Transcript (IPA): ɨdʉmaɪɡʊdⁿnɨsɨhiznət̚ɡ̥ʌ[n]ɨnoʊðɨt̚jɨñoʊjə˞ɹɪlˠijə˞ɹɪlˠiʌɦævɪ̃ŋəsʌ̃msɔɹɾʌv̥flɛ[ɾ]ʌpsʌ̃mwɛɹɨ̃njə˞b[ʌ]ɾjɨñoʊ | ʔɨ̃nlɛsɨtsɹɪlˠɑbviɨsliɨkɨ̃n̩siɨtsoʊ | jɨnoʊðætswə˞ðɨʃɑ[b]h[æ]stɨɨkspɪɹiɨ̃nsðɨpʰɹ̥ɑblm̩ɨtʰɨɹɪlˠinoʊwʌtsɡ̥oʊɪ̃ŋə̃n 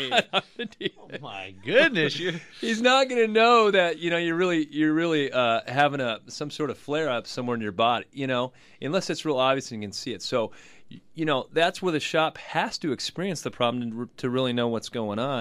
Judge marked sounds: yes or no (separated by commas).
yes, no, no, no, yes